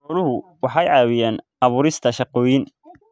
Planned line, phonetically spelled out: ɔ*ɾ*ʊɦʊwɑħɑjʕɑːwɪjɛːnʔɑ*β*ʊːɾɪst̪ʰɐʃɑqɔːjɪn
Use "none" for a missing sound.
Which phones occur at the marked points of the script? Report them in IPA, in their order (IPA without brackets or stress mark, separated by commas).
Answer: l, β